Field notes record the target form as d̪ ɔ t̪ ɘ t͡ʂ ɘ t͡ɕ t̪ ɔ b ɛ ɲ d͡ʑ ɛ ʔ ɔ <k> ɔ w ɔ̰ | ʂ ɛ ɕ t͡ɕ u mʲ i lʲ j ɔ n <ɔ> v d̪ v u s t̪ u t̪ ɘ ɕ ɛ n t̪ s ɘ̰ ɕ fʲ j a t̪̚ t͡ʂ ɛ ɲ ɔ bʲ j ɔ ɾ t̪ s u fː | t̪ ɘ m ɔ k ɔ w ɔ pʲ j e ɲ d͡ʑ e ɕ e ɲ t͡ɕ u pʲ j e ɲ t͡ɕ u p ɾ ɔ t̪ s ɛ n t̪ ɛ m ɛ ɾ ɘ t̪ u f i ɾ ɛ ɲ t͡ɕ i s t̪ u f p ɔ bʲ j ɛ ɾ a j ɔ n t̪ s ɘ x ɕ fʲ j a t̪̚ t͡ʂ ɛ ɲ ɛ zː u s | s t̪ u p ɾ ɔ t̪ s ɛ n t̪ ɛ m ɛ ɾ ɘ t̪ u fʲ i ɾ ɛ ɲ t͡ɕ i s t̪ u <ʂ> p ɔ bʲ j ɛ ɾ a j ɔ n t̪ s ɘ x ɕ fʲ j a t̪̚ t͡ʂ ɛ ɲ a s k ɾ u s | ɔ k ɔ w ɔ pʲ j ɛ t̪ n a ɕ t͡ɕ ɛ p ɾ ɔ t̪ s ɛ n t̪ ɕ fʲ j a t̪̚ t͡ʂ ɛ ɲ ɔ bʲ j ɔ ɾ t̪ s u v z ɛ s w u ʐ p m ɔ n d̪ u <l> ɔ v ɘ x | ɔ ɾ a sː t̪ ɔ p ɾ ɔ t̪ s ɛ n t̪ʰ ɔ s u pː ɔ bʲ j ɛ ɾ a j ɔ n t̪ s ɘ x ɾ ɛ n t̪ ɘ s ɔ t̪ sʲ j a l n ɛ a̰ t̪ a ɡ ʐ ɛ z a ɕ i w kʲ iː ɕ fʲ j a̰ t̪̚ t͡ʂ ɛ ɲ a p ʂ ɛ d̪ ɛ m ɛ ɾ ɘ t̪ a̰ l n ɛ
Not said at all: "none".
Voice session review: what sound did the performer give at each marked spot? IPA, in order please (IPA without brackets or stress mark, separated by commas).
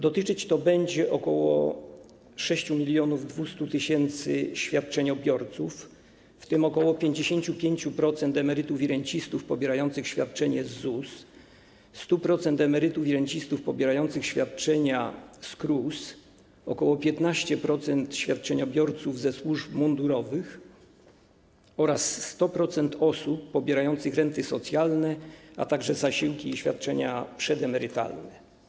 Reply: k, u, f, ɾ